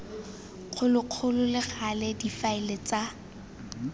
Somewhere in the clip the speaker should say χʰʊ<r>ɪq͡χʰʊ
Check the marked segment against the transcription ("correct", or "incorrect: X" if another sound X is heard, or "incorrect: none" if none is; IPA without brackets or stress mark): incorrect: l